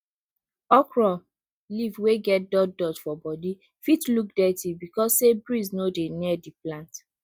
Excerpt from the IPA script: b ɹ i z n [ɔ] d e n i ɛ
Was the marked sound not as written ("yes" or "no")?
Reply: yes